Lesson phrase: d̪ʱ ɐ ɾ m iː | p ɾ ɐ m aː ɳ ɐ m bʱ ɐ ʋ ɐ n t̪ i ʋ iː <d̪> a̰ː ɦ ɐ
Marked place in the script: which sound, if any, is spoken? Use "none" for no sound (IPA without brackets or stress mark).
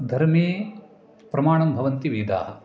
d̪